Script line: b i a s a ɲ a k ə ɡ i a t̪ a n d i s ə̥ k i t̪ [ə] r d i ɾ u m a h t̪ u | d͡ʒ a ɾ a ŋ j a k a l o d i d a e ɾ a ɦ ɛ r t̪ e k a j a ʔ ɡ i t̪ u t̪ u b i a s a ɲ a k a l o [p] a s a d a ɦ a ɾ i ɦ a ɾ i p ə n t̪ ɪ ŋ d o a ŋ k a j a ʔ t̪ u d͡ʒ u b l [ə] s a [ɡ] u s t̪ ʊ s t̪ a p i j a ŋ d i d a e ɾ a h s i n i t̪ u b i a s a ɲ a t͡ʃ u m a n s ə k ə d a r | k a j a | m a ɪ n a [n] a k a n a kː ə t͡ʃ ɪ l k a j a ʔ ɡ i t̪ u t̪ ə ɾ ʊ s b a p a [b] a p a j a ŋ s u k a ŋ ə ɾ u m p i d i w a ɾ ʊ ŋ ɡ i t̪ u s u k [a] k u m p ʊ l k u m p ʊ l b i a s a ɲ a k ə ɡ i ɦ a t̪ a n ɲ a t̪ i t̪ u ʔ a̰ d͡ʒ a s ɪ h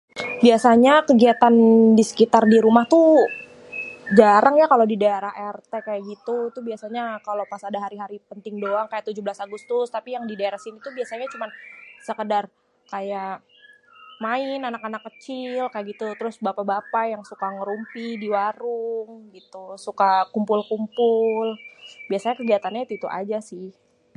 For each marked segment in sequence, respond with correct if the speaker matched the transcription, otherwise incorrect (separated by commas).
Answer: incorrect, correct, incorrect, correct, correct, correct, correct